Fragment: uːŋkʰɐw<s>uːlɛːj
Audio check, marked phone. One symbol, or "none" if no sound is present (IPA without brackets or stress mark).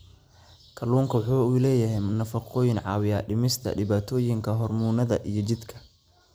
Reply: ħ